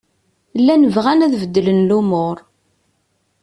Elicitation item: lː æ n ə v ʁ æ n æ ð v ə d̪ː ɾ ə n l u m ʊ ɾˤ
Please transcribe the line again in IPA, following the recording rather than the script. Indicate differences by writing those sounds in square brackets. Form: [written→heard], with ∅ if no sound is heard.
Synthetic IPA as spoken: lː æ n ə v ʁ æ n æ ð v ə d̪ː [ɾ→l] ə n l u m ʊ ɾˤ